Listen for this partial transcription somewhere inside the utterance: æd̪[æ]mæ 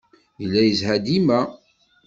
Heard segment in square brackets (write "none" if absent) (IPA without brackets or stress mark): i